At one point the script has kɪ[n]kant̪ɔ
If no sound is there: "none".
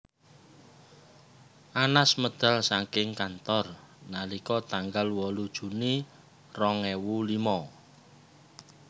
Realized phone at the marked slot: ŋ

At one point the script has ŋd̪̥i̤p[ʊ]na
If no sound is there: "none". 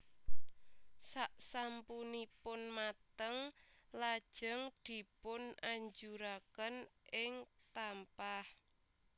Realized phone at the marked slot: ʊ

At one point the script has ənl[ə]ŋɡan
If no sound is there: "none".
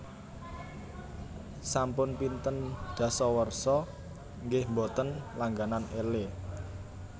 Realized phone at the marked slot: a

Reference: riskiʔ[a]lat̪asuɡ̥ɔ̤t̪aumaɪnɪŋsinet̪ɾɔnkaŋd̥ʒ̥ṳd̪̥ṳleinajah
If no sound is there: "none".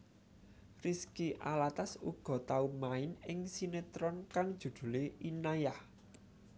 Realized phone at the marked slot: a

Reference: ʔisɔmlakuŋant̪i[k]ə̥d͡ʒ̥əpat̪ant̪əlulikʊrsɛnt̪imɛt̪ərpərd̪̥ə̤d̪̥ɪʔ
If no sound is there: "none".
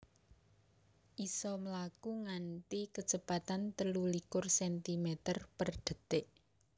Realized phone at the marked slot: k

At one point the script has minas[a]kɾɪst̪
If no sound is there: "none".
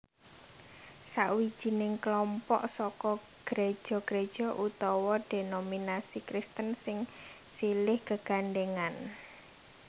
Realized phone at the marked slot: i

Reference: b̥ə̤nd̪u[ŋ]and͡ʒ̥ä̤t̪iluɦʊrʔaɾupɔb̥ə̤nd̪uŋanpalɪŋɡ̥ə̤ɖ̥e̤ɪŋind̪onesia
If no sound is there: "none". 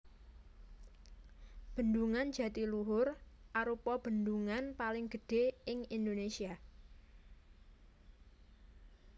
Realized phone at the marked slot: ŋ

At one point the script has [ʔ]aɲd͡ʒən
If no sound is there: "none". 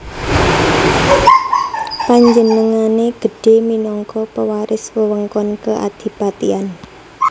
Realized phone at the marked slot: p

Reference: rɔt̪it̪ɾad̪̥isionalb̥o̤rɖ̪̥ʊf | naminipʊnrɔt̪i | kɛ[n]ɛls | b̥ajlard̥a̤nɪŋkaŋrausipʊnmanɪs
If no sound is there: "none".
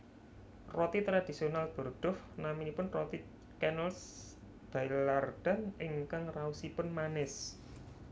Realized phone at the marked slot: n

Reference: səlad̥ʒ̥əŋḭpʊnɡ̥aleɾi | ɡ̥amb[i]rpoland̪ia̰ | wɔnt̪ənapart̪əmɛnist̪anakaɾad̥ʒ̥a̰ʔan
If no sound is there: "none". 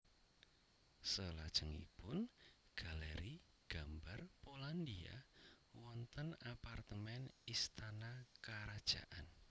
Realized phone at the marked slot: a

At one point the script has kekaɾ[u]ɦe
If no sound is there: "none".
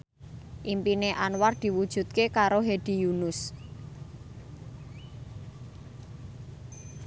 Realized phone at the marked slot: o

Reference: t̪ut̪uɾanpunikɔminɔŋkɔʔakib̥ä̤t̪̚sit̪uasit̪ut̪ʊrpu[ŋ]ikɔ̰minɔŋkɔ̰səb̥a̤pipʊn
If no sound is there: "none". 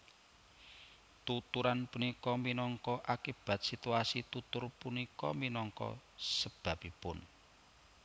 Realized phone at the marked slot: n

